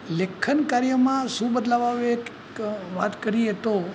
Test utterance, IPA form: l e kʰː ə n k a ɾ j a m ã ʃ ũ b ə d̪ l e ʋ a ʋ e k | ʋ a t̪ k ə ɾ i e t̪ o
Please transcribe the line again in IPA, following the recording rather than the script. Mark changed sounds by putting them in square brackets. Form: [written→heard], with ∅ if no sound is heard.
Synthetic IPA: l e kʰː ə n k a ɾ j [a→ə] m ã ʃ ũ b ə d̪ l [e→a] ʋ a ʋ e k | ʋ a t̪ k ə ɾ i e t̪ o